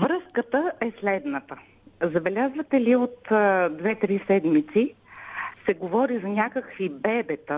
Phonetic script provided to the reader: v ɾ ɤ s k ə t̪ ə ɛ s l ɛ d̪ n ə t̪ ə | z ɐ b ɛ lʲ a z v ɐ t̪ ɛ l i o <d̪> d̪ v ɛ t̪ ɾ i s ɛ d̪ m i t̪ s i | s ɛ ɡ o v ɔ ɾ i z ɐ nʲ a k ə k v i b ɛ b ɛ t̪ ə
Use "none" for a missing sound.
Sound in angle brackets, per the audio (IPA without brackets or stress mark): t̪